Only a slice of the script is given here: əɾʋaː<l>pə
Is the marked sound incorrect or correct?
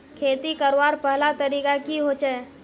incorrect